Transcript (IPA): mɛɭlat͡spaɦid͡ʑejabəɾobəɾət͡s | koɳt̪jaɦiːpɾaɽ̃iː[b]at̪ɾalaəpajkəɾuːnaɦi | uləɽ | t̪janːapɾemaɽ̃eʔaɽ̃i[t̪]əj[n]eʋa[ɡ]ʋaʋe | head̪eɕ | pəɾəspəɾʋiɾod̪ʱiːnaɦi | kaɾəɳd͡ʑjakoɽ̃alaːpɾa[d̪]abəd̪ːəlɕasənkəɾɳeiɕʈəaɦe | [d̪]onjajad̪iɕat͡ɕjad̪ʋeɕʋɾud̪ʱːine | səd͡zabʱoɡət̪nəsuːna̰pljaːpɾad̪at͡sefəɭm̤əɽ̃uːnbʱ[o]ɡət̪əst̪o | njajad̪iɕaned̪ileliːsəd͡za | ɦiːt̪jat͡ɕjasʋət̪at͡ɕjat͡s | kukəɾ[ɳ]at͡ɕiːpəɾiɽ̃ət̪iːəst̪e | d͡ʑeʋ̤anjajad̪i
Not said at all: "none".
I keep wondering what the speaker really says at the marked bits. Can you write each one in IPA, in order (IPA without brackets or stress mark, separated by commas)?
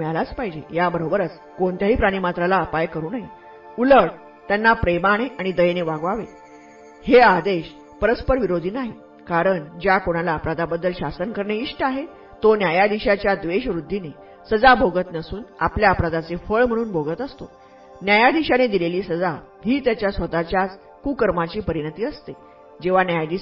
m, d̪, n, ɡ, d̪, t̪, o, m